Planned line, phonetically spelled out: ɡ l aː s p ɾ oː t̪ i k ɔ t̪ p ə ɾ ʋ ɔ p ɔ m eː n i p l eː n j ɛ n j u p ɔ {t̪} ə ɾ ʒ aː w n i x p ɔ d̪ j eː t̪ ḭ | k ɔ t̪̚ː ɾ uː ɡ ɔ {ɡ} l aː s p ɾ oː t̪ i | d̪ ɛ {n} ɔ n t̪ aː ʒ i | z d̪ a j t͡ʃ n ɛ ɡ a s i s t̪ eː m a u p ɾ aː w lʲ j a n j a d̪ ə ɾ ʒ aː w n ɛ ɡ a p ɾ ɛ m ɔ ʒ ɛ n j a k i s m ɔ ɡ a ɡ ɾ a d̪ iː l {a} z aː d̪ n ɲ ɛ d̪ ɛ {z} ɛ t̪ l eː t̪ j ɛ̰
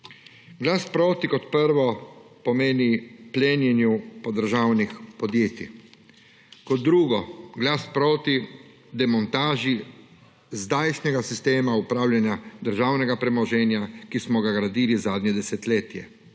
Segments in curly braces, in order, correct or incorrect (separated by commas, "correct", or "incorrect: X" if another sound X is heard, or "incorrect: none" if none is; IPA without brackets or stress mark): incorrect: d̪, correct, incorrect: m, incorrect: i, incorrect: s